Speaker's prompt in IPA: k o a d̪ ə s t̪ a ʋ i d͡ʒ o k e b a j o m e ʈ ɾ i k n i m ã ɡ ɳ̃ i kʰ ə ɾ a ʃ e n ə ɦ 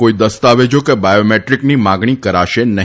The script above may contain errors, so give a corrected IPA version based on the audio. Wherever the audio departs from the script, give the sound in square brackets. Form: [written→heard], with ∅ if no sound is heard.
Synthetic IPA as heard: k o [a→i] d̪ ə s t̪ a ʋ [i→e] d͡ʒ o k e b a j o m e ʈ ɾ i k n i m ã ɡ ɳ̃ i [kʰ→k] ə ɾ a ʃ e n ə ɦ